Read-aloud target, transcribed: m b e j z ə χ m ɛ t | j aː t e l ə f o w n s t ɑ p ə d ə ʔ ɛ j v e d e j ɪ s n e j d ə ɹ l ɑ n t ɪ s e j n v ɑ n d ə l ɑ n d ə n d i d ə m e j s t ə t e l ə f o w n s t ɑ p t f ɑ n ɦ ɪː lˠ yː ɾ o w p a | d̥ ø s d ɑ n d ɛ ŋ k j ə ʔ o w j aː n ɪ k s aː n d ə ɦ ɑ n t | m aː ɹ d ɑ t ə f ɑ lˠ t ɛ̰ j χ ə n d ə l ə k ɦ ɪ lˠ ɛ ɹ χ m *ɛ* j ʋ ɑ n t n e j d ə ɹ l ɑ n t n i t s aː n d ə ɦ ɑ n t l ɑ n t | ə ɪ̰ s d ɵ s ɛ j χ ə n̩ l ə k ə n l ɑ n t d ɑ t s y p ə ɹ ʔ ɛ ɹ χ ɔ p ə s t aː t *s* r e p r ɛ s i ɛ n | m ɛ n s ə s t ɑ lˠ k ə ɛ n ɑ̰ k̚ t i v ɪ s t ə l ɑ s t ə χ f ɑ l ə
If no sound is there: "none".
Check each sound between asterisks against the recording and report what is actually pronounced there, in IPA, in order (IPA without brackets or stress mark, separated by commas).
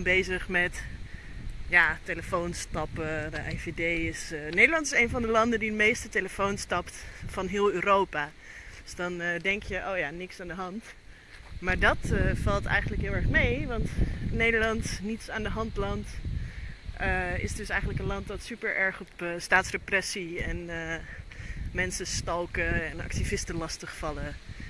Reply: e, s